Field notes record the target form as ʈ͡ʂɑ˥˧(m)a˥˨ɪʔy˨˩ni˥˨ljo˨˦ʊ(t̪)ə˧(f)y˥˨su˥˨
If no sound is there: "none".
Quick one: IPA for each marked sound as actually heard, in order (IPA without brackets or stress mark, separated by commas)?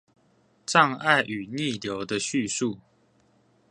ŋ, d̪, ɕ